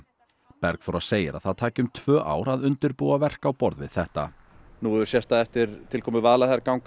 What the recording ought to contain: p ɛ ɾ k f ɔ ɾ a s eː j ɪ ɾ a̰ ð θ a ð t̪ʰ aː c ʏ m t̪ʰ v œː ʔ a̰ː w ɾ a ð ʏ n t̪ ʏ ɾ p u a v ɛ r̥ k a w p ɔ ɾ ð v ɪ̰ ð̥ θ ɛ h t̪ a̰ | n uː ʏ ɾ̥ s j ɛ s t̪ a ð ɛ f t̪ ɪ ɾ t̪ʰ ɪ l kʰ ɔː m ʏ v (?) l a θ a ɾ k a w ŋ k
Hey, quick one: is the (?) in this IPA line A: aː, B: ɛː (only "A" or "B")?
A